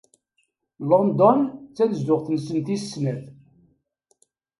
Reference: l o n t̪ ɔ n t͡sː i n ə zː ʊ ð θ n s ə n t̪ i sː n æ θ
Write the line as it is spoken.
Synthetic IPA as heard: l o n d̪ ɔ n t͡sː æ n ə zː ʊ ʁ θ n s ə n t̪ i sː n æ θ